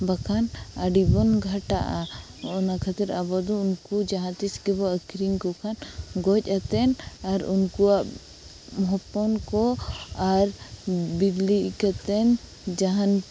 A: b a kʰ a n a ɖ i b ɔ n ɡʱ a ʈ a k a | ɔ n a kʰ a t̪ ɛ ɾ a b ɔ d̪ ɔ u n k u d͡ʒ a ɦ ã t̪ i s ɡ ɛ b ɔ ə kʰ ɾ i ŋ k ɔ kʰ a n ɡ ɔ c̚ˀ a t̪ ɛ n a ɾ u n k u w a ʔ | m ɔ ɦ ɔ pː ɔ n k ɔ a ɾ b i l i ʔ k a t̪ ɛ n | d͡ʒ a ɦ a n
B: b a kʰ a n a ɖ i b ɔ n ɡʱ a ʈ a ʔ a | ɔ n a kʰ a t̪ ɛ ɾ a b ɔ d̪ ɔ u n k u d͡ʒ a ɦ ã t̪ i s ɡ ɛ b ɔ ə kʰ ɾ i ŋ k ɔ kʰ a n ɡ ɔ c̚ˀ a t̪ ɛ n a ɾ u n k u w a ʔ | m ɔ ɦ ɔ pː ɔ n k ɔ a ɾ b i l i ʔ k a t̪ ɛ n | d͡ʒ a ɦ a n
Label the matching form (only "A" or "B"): B